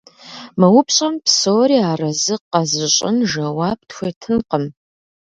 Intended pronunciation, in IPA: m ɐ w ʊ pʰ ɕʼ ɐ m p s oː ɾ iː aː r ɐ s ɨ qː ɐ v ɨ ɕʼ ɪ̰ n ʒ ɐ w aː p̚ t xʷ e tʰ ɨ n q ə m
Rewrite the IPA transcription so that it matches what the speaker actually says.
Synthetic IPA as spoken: m ɐ w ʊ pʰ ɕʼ ɐ m p s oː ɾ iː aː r ɐ z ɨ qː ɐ z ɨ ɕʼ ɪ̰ n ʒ ɐ w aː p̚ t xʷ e tʰ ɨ n q ə m